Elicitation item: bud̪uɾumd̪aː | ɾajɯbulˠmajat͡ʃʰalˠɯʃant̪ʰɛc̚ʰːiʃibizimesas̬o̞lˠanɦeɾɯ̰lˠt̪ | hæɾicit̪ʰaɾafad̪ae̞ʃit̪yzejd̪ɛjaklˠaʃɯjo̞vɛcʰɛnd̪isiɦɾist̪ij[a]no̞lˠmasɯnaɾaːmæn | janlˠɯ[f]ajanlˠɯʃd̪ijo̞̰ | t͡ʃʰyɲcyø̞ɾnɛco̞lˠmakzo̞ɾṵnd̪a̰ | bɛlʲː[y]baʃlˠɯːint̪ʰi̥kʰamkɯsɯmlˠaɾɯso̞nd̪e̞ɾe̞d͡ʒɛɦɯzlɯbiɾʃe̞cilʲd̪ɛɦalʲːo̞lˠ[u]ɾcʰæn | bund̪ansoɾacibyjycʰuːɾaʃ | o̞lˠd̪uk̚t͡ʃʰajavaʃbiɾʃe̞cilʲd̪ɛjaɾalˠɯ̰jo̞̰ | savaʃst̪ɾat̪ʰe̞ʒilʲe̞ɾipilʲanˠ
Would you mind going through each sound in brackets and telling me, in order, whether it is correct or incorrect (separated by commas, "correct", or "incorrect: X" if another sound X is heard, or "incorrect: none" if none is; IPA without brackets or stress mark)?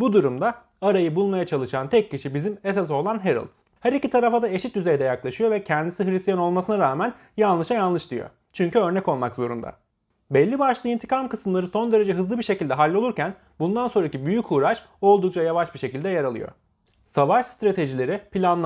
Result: correct, incorrect: ʃ, incorrect: i, correct